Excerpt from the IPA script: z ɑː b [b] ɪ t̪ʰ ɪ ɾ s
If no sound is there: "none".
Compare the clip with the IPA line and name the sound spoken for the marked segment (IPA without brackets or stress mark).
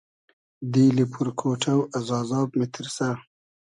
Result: m